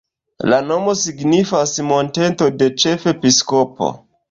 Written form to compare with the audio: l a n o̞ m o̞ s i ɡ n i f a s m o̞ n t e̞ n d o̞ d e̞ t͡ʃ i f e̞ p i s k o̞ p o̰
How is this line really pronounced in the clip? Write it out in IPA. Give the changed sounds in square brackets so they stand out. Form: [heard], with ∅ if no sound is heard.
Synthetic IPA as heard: l a n o̞ m o̞ s i ɡ n i f a s m o̞ n t e̞ n [t] o̞ d e̞ t͡ʃ [e] f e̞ p i s k o̞ p o̰